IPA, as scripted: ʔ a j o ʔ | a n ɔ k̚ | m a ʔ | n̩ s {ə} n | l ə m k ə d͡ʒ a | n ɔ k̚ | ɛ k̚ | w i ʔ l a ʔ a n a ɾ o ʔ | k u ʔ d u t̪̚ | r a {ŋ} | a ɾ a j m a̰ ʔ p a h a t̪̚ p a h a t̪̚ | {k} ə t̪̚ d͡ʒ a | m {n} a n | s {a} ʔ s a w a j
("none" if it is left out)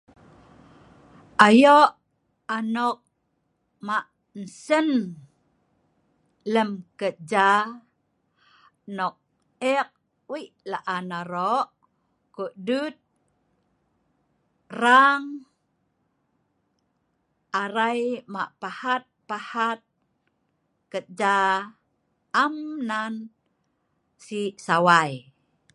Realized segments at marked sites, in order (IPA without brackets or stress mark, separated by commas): ə, ŋ, k, n, i